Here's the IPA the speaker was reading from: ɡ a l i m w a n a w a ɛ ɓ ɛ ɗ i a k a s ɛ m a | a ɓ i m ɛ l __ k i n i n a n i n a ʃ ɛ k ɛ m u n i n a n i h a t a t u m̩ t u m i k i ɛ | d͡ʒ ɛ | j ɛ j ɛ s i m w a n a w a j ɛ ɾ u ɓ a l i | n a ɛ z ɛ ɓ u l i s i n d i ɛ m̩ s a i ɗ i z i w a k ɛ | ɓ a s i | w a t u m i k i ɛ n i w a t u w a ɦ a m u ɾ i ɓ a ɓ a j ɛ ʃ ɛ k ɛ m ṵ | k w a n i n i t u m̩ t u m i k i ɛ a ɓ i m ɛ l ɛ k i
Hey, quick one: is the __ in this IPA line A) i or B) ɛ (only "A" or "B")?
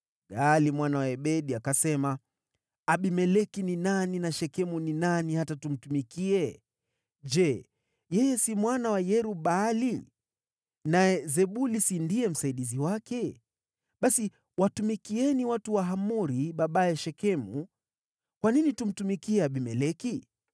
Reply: B